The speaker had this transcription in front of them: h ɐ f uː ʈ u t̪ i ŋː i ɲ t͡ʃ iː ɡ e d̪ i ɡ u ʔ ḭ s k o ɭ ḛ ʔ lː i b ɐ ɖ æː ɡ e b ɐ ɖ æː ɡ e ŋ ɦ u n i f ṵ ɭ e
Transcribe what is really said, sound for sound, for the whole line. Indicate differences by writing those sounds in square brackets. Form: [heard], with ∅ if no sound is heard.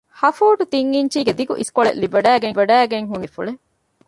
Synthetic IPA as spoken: h ɐ f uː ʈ u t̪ i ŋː i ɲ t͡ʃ iː ɡ e d̪ i ɡ u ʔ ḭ s k o ɭ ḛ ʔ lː i b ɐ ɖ æː ɡ e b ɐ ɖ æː ɡ e ŋ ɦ u n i f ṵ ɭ e

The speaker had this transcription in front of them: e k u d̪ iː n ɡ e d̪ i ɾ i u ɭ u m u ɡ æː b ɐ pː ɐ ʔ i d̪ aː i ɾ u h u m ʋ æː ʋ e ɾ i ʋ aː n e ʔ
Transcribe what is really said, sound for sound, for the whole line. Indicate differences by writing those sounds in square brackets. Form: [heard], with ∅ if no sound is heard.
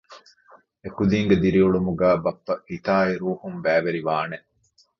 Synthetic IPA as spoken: e k u d̪ iː [ŋ] ɡ e d̪ i ɾ i u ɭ u m u ɡ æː b ɐ pː ɐ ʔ i [t̪] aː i ɾ [uː] h u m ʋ æː ʋ e ɾ i ʋ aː n e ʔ

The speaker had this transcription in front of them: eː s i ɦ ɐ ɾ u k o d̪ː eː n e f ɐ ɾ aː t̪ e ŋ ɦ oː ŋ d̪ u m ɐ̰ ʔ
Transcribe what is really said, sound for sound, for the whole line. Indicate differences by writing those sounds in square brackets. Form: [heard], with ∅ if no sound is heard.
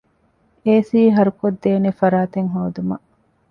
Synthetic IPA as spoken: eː s [iː] ɦ ɐ ɾ u k o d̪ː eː n e f ɐ ɾ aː t̪ e ŋ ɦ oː [∅] d̪ u m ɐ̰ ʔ

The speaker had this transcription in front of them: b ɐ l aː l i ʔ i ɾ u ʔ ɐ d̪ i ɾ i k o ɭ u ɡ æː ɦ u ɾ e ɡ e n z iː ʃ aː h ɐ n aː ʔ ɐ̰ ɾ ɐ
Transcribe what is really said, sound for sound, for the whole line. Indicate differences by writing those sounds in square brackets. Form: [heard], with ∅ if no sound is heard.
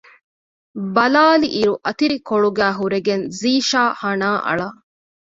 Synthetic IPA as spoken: b ɐ l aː l i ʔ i ɾ u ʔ ɐ [t̪] i ɾ i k o ɭ u ɡ æː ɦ u ɾ e ɡ e n z iː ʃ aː h ɐ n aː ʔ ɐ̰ [ɭ] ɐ

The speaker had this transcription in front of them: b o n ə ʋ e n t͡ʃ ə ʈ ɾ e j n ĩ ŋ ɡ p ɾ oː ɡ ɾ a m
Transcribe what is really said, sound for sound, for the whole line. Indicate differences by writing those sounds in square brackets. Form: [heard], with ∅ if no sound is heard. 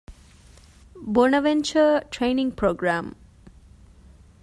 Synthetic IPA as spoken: b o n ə ʋ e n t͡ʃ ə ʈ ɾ e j n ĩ ŋ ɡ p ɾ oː ɡ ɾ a m

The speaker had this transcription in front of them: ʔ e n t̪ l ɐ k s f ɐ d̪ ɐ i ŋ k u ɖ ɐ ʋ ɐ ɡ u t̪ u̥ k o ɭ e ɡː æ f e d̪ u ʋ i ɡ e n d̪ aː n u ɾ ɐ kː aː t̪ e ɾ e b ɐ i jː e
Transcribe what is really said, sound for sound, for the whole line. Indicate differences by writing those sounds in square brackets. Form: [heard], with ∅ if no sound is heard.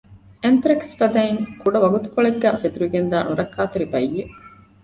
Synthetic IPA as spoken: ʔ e n t̪ [ɾ] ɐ k s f ɐ d̪ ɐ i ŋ k u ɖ ɐ ʋ ɐ ɡ u t̪ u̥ k o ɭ e ɡː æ f e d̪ u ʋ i ɡ e n d̪ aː n u ɾ ɐ kː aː t̪ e ɾ [i] b ɐ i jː e

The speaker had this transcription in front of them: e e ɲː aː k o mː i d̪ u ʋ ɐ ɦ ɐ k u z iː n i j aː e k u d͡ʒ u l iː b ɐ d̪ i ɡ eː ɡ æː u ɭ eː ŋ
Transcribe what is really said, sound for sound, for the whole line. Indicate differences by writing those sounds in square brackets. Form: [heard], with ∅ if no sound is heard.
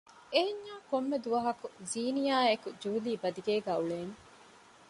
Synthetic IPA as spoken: e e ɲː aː k o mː [e] d̪ u ʋ ɐ ɦ ɐ k u z iː n i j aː e k u d͡ʒ [uː] l iː b ɐ d̪ i ɡ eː ɡ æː u ɭ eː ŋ

